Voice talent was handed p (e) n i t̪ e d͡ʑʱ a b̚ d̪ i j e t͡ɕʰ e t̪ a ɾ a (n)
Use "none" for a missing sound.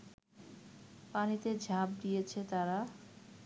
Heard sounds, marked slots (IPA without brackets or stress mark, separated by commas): a, none